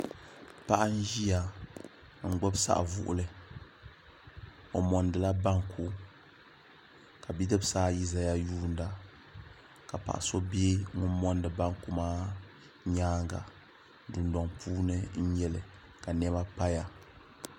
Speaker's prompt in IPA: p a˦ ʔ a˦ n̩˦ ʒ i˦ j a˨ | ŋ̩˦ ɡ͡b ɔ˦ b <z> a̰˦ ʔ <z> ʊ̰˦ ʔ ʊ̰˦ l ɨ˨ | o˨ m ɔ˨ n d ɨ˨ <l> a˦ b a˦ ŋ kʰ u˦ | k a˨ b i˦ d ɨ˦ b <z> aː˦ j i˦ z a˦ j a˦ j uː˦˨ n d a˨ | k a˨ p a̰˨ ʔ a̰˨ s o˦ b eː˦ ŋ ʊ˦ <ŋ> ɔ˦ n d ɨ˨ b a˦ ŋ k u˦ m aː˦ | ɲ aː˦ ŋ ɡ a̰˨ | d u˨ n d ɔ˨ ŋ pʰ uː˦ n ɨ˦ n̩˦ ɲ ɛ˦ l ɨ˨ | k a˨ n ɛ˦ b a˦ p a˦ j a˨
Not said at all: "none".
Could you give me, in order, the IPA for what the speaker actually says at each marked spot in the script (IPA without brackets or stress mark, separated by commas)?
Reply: s, v, l, s, m